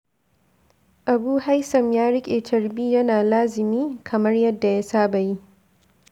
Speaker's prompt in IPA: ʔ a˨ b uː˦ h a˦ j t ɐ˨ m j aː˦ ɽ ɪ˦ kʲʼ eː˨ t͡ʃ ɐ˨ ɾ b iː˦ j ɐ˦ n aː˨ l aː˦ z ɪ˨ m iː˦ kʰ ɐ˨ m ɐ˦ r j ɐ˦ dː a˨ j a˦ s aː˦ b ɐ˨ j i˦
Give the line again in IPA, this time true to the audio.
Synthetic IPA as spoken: ʔ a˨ b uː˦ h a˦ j s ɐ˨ m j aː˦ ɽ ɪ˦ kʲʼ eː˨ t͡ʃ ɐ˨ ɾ b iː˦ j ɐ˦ n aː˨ l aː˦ z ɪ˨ m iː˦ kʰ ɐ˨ m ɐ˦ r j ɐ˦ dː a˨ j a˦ s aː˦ b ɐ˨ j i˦